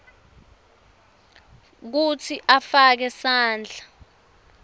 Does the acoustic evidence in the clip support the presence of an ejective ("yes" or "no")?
no